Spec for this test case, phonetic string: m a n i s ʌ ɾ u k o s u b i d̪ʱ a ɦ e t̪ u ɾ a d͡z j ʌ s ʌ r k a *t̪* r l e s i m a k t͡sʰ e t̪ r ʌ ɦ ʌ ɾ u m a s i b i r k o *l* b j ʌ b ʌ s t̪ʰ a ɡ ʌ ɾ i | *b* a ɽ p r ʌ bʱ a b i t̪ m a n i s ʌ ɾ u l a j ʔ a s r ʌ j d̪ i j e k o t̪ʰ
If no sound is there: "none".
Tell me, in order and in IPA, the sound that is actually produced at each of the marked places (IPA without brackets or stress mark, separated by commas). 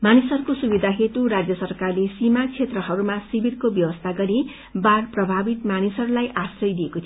none, none, b